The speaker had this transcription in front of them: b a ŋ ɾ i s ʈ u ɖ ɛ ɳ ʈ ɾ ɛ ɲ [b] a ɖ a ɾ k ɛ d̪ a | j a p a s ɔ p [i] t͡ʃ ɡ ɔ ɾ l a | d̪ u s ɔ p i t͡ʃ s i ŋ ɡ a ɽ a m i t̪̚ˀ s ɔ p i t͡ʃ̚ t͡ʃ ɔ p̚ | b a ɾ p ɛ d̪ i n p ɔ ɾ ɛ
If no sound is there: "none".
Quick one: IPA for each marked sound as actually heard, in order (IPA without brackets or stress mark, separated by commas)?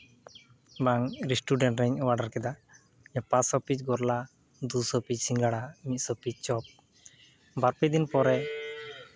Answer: w, i